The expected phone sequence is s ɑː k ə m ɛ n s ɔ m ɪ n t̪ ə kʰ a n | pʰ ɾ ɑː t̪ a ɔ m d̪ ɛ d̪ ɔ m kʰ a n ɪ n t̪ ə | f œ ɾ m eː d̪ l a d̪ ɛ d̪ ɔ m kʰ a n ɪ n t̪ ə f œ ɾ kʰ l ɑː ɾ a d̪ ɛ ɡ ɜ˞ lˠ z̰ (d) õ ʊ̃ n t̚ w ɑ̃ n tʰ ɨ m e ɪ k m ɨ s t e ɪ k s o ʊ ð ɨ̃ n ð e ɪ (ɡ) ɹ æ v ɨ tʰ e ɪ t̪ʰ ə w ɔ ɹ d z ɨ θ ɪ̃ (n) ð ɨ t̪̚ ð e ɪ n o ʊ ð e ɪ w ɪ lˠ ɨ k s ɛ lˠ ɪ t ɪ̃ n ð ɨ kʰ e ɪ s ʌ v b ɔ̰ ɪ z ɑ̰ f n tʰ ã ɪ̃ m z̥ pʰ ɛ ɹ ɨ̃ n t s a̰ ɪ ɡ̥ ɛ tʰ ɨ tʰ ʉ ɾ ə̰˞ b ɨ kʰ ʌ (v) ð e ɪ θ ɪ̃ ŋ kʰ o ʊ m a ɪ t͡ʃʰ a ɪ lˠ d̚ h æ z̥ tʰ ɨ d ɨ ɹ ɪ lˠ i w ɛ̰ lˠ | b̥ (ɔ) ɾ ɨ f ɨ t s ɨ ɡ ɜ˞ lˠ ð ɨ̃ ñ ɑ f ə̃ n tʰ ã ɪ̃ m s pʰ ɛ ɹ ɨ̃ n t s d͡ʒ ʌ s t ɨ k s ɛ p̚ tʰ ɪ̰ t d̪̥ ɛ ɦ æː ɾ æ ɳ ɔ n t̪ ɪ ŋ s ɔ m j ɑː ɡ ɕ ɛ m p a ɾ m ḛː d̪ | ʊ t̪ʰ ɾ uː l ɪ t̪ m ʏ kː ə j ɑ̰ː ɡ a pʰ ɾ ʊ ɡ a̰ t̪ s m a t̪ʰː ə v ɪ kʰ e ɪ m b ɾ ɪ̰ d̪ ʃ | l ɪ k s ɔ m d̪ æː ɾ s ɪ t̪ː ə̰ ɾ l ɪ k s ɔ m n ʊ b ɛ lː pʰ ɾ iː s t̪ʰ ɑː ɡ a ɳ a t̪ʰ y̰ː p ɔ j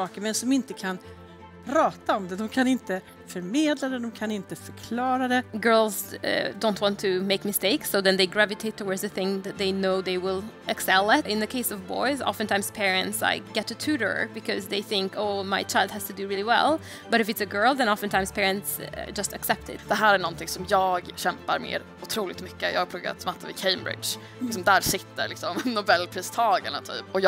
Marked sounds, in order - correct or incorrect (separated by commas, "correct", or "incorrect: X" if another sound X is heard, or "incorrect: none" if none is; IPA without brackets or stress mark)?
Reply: correct, correct, incorrect: ŋ, incorrect: z, incorrect: ʌ